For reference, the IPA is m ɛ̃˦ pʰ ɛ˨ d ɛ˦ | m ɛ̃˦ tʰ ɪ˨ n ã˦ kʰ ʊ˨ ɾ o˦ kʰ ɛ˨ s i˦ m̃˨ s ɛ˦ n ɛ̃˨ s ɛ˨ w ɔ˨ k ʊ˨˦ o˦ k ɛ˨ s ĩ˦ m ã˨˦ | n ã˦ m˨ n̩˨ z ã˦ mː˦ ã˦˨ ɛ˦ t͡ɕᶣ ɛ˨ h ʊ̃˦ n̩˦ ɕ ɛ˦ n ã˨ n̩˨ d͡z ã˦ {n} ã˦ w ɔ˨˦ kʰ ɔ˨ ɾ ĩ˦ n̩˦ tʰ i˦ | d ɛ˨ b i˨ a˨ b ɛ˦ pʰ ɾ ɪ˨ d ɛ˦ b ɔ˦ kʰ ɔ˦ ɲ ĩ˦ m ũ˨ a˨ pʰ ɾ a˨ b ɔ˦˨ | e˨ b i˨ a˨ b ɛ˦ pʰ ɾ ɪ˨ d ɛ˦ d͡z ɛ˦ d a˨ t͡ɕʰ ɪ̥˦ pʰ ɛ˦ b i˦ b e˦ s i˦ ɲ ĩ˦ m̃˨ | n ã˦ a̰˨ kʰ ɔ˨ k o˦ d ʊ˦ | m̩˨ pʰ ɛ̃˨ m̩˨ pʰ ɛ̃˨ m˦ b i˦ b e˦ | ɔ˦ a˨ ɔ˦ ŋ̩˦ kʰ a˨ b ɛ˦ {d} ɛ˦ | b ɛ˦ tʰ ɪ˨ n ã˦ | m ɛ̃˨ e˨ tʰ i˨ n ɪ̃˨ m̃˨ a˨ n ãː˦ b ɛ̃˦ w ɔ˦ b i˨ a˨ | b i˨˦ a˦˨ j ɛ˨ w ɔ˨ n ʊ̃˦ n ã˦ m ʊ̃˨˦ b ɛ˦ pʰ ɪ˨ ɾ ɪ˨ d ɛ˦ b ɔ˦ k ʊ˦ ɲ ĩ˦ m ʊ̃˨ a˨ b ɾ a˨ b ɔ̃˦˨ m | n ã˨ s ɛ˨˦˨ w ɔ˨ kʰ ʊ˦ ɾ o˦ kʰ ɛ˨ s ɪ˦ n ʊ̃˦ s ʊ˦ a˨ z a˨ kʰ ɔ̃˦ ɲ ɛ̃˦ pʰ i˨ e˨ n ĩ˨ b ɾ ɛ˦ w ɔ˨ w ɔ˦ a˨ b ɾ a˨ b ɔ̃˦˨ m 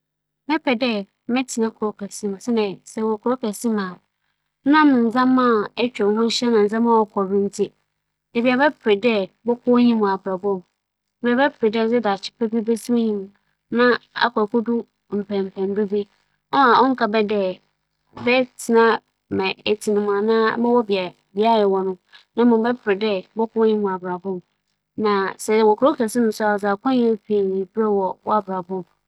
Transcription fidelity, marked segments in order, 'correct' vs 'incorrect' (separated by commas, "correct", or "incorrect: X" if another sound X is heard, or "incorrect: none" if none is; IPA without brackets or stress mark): incorrect: m, correct